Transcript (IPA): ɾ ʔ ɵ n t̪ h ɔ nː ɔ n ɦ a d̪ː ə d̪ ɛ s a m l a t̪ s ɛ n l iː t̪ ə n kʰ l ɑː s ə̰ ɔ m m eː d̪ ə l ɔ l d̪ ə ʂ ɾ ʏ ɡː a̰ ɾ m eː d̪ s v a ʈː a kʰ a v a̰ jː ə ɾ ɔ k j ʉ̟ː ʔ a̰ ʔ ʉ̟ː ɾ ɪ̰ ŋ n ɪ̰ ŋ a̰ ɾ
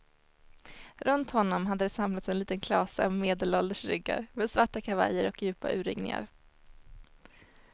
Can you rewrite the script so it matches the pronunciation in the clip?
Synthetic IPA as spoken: ɾ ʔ ɵ n t̪ h ɔ nː ɔ m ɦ a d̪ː ə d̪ ɛ s a m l a t̪ s ɛ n l iː t̪ ə n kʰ l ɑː s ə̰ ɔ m m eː d̪ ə l ɔ l d̪ ə ʂ ɾ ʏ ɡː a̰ ɾ m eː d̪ s v a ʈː a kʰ a v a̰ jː ə ɾ ɔ k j ʉ̟ː p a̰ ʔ ʉ̟ː ɾ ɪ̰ ŋ n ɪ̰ ŋ a̰ ɾ